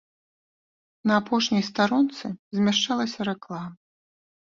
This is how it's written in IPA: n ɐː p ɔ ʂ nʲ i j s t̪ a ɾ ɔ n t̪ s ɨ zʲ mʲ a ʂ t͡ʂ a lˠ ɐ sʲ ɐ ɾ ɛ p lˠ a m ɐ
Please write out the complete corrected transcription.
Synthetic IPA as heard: n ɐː p ɔ ʂ nʲ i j s t̪ a ɾ ɔ n t̪ s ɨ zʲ mʲ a ʂ t͡ʂ a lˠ ɐ sʲ ɐ ɾ ɛ k lˠ a m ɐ